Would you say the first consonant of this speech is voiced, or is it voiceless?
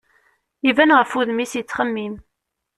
voiced